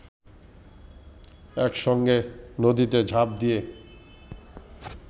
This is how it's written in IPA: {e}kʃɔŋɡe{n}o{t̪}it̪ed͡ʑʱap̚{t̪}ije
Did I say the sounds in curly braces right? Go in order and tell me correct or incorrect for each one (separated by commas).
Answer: incorrect, correct, incorrect, incorrect